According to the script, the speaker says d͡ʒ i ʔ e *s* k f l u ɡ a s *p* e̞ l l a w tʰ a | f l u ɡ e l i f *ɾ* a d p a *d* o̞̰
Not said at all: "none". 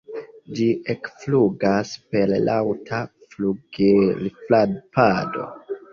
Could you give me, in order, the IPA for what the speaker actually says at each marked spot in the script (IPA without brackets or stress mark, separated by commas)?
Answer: none, p, l, d